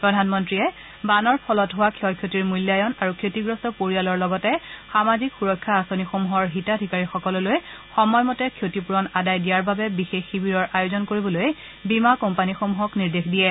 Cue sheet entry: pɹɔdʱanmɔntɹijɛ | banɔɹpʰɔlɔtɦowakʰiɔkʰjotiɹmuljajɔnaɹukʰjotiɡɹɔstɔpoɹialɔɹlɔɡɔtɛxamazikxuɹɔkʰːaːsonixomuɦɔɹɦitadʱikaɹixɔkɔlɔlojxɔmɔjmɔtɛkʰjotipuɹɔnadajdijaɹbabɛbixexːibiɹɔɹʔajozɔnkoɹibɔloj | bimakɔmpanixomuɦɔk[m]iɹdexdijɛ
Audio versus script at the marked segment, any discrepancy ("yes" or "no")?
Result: yes